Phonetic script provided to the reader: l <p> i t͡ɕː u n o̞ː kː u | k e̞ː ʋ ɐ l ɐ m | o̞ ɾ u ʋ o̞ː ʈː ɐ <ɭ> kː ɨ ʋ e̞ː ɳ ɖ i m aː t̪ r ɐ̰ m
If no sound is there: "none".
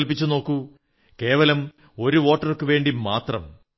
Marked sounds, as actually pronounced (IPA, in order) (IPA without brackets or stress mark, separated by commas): p, r